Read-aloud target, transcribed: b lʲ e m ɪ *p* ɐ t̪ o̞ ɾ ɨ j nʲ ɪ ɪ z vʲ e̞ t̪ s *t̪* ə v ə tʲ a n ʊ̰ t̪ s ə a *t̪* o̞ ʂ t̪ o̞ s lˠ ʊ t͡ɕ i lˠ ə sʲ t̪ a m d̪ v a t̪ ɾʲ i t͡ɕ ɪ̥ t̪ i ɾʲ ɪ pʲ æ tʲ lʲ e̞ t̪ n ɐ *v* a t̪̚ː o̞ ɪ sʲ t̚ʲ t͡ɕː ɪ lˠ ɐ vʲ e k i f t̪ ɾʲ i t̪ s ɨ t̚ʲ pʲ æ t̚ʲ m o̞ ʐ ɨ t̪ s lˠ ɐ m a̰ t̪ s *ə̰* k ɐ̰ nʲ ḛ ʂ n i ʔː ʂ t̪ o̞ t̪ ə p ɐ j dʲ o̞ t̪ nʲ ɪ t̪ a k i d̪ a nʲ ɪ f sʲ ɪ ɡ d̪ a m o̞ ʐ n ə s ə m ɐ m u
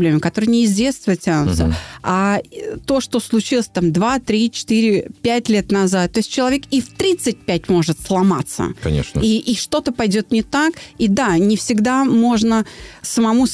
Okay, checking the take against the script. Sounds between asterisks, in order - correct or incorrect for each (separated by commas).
incorrect, correct, correct, incorrect, correct